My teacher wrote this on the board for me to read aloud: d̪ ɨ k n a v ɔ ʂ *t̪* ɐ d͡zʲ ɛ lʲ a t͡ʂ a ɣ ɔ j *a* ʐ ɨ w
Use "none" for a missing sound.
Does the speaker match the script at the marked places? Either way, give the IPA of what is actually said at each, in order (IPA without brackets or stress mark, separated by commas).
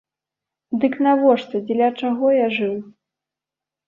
t̪, a